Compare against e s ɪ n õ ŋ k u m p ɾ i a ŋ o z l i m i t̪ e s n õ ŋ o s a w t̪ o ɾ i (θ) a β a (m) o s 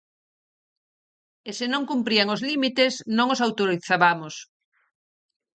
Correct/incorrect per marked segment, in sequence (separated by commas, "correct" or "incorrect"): correct, correct